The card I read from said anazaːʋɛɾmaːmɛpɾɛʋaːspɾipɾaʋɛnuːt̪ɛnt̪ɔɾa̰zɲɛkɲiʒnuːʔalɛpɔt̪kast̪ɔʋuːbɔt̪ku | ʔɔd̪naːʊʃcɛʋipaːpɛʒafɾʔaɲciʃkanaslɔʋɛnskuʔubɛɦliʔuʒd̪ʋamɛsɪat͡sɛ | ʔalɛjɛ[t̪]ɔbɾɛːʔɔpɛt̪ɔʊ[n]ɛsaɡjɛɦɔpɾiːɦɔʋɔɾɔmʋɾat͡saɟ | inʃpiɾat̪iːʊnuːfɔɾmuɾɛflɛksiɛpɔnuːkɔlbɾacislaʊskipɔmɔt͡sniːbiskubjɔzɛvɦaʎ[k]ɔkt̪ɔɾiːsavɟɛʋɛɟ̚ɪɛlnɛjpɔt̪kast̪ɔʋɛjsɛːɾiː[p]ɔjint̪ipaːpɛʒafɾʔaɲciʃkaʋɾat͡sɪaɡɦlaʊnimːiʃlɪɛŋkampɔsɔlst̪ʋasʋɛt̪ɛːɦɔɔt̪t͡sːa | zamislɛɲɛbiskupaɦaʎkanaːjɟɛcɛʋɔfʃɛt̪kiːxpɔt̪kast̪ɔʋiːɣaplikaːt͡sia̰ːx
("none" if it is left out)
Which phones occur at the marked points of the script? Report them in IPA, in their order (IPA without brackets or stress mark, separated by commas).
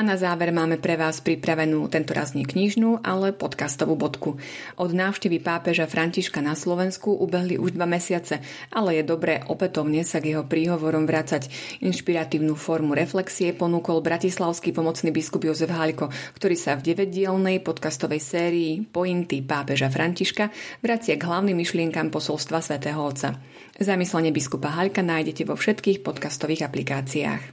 d̪, ɲ, k, p